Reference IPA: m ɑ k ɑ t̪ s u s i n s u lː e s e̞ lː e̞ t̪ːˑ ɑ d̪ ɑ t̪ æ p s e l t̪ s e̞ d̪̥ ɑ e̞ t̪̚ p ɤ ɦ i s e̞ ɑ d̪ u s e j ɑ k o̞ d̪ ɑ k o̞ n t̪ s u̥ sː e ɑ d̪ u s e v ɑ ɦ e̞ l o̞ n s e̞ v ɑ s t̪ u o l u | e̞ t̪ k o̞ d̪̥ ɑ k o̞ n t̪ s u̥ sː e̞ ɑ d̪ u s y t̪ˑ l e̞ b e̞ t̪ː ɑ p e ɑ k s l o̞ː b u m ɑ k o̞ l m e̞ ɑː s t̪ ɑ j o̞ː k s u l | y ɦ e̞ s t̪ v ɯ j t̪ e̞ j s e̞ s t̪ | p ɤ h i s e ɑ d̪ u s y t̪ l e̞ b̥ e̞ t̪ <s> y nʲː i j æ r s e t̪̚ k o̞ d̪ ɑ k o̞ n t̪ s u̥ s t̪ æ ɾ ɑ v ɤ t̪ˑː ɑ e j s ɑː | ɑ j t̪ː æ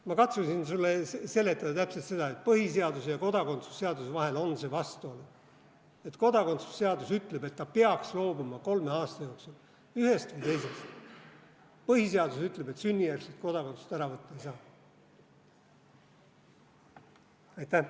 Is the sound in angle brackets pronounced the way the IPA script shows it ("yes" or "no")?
yes